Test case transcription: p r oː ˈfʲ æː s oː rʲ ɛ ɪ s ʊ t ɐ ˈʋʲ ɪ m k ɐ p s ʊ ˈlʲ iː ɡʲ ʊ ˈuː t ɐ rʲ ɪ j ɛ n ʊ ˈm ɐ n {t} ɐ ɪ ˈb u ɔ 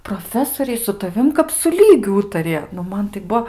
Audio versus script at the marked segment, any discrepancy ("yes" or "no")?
no